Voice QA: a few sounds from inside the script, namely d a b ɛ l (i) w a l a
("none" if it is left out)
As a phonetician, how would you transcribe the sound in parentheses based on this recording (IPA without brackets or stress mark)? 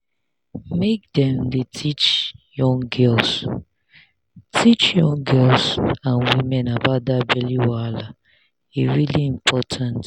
i